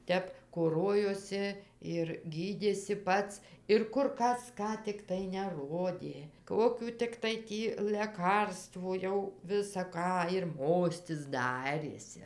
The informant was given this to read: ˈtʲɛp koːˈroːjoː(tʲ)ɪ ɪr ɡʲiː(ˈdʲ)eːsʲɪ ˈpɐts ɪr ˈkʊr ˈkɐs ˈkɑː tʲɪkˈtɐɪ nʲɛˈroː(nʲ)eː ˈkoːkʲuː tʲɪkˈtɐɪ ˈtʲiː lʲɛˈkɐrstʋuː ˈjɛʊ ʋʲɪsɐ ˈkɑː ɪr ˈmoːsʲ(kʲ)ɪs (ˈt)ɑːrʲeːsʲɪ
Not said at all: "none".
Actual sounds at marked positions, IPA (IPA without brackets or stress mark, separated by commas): sʲ, dʲ, dʲ, tʲ, d